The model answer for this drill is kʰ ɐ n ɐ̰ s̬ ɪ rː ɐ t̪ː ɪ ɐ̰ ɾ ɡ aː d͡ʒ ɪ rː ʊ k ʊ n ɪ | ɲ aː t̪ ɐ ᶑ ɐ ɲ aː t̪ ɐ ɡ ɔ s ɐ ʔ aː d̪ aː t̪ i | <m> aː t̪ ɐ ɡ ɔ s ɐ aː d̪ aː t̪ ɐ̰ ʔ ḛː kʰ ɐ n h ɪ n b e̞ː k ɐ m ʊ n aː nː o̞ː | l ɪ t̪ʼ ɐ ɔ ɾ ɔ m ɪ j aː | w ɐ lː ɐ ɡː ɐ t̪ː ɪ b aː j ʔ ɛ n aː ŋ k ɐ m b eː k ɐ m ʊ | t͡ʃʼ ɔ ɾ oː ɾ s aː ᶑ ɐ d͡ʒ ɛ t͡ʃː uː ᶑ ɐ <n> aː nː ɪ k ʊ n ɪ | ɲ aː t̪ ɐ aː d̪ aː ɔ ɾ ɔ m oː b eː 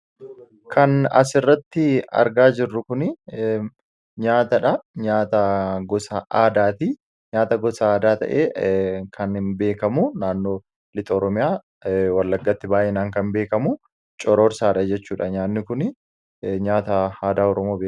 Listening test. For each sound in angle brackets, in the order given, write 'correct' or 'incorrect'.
incorrect: ɲ, incorrect: ɲ

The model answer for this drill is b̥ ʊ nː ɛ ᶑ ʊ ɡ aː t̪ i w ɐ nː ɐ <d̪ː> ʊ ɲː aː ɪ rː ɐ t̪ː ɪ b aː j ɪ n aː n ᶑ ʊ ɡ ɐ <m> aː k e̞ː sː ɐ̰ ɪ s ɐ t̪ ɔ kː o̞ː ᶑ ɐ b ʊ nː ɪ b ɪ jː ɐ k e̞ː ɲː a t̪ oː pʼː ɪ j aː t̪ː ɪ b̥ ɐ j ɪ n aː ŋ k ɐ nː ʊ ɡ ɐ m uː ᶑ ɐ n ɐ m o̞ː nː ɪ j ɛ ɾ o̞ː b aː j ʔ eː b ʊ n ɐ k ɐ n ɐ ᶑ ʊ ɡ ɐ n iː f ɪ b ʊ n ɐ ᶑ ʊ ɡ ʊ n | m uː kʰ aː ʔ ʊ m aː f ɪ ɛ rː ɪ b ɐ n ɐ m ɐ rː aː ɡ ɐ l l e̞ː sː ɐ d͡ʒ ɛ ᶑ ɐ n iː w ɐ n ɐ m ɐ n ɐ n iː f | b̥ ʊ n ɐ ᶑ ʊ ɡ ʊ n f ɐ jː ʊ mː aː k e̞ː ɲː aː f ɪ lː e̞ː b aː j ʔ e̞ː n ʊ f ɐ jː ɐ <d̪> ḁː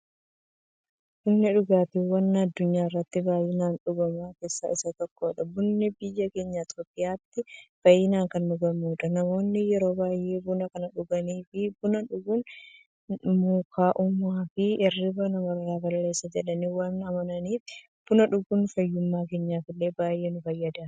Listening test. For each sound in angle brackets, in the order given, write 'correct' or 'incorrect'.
correct, correct, correct

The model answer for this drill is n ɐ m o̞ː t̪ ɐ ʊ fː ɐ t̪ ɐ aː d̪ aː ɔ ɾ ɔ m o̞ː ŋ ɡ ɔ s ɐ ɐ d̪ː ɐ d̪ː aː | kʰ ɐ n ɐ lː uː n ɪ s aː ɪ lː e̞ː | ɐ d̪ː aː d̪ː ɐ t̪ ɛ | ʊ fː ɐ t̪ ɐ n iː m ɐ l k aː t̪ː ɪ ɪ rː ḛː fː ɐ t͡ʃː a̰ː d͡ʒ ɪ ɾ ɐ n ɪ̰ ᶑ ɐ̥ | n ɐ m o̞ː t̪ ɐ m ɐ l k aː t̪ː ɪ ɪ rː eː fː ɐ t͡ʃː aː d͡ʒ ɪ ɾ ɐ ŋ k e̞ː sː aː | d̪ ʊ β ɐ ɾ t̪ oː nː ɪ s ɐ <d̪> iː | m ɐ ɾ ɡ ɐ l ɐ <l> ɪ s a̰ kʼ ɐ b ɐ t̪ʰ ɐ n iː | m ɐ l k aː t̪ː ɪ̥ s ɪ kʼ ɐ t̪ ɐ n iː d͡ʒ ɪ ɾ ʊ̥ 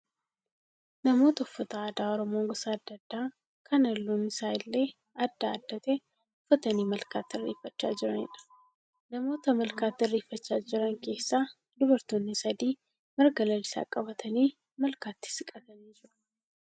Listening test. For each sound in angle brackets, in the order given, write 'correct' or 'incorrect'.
correct, correct

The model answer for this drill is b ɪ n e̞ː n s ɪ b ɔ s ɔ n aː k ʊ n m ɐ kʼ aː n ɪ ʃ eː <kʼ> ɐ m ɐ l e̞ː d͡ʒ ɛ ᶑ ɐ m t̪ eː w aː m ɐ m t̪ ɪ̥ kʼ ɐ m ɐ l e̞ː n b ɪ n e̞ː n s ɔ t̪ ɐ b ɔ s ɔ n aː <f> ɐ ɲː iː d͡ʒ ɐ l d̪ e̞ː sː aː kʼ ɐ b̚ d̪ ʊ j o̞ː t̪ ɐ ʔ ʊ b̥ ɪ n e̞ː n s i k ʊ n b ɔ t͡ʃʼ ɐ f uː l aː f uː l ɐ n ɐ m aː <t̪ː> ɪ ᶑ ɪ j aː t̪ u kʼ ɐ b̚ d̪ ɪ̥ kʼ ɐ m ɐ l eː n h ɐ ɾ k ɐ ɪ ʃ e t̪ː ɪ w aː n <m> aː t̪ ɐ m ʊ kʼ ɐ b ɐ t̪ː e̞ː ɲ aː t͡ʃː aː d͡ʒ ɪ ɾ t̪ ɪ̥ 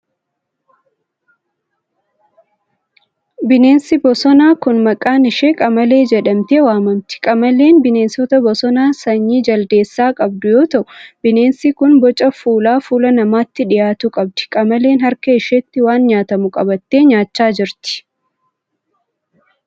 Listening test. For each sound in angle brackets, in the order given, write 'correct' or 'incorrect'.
correct, incorrect: s, correct, incorrect: ɲ

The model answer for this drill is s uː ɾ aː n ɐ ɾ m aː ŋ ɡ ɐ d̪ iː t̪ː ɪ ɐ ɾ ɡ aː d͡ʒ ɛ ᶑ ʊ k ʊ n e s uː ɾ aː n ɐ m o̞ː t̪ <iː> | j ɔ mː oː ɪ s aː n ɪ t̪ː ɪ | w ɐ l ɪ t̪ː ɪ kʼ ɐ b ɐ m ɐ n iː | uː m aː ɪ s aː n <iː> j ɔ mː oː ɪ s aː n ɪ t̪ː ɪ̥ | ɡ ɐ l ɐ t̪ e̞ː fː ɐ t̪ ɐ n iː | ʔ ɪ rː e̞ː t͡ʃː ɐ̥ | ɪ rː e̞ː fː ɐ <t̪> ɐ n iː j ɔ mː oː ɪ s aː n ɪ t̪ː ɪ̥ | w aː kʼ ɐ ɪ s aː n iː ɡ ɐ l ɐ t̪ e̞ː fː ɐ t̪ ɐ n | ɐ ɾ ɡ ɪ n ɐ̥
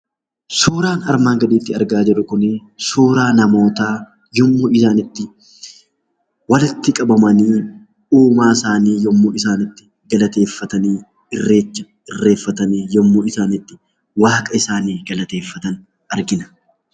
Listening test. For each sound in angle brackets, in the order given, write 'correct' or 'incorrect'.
incorrect: aː, correct, correct

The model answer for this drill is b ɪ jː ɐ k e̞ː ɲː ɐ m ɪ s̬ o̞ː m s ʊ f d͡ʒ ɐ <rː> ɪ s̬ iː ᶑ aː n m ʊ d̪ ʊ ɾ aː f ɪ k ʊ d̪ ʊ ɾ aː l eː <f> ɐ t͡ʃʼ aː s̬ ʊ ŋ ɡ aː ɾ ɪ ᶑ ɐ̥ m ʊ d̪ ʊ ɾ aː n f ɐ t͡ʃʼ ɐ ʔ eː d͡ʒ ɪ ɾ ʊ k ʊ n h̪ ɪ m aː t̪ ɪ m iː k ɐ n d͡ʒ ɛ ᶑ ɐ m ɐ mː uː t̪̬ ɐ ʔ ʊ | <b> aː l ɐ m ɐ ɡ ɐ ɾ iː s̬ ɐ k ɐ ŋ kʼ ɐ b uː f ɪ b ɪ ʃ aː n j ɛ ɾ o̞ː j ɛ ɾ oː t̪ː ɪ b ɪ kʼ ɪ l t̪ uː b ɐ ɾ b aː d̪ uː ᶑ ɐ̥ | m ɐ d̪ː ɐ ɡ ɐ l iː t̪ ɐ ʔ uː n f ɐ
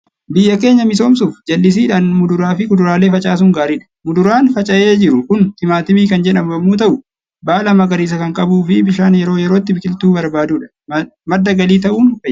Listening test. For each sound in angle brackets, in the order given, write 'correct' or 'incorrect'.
incorrect: lː, correct, correct

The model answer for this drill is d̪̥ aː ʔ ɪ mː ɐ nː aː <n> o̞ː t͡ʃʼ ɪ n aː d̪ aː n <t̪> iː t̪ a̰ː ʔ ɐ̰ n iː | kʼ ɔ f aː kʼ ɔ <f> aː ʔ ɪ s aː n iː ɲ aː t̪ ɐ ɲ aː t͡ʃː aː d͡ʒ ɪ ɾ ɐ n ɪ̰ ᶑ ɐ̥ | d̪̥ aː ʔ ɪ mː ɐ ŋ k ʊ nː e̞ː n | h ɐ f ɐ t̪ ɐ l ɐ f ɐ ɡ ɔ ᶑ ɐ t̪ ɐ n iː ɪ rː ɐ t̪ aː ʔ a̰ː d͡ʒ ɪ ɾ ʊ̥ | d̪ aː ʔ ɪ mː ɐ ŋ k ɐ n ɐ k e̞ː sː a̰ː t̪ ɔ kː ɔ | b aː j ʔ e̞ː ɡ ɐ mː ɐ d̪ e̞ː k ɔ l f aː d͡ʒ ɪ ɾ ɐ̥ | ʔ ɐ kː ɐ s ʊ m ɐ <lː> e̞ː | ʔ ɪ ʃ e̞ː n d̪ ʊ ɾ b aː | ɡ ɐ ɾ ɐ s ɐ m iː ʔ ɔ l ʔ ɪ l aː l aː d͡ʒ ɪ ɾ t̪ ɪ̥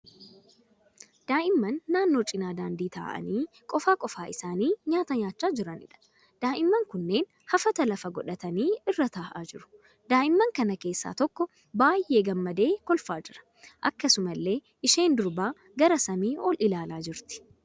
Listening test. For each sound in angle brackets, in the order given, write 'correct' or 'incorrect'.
incorrect: nː, incorrect: d̪, correct, correct

